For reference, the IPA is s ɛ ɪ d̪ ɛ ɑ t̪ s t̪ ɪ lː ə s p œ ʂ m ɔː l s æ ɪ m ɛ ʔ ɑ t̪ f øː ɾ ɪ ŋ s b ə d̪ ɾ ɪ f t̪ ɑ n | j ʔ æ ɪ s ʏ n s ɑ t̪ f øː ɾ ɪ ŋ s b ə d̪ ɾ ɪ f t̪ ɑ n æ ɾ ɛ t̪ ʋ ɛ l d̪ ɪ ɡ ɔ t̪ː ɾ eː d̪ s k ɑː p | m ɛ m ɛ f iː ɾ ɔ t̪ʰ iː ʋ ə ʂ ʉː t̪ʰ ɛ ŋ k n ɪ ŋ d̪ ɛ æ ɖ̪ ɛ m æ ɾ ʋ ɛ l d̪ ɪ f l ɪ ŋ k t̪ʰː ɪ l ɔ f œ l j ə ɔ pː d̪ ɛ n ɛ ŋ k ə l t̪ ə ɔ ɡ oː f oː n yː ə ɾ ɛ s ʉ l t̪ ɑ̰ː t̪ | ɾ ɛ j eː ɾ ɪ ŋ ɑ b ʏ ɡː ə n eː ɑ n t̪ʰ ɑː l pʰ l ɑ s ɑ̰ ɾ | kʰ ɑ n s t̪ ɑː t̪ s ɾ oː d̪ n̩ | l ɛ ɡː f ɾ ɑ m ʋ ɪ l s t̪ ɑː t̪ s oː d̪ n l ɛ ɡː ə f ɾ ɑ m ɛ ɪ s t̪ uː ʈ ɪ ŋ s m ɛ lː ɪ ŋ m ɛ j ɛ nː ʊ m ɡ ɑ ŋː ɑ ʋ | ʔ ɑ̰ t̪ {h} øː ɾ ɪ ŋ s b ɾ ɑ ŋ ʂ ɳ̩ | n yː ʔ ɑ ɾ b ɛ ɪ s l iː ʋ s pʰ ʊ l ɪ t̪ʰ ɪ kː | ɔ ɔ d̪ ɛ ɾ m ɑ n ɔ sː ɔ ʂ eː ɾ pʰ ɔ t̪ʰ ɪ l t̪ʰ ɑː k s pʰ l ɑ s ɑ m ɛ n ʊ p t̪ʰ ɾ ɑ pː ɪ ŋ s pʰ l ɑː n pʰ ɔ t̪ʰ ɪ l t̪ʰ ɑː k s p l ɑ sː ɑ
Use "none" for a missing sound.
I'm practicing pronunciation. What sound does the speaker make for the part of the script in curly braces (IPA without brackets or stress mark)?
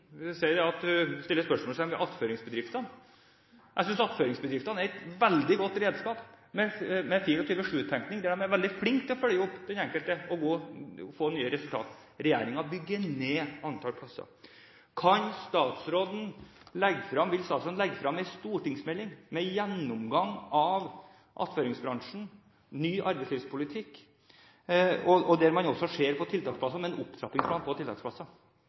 f